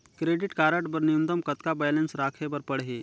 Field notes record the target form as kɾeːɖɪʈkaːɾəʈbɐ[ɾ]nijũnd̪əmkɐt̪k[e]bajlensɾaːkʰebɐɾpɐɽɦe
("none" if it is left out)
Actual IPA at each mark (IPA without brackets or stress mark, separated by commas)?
ɾ, a